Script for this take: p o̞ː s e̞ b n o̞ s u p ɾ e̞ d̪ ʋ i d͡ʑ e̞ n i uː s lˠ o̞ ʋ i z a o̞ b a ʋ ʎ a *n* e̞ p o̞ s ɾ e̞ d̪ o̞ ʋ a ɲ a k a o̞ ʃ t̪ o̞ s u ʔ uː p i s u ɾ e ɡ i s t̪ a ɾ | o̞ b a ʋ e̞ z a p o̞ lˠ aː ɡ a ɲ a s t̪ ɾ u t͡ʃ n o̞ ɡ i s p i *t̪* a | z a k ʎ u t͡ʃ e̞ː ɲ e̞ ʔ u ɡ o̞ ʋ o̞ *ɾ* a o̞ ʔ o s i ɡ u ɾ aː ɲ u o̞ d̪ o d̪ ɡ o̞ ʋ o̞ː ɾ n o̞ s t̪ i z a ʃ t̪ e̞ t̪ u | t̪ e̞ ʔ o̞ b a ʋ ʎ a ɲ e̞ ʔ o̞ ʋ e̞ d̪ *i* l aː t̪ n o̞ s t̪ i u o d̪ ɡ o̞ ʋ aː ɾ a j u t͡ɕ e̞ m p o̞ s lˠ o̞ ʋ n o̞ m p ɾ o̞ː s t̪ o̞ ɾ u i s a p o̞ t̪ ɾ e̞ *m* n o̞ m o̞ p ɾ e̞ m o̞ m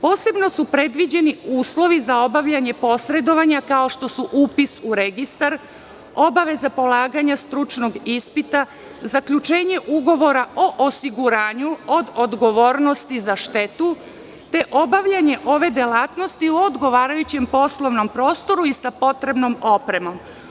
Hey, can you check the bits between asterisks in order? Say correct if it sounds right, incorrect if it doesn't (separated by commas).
incorrect, correct, correct, incorrect, incorrect